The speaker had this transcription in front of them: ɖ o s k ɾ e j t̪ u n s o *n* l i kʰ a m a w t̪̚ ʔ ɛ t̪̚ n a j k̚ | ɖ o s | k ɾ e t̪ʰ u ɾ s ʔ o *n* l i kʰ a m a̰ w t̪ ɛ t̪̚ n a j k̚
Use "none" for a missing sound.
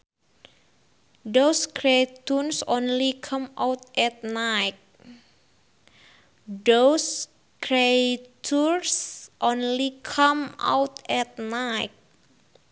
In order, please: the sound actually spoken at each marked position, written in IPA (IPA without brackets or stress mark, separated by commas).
n, n